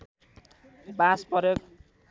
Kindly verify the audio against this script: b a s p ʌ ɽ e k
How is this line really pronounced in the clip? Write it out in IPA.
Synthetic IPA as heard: b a s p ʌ ɾ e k